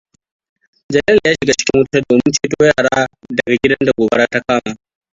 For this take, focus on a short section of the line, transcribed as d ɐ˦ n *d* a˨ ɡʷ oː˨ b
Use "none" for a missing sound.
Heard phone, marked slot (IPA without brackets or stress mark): d